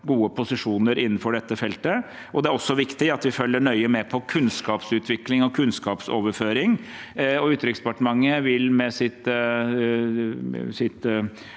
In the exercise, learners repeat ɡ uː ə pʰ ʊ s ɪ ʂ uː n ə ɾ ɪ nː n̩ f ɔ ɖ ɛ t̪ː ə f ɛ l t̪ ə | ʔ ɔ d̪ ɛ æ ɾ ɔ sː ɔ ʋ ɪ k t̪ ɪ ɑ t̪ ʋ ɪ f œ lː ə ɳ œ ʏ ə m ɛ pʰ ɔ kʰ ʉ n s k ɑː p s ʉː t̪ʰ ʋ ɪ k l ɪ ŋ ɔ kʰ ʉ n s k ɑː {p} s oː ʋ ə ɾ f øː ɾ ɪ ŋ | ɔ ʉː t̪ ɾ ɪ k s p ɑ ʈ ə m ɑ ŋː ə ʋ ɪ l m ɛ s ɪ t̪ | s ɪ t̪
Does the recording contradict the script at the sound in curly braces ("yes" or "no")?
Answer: no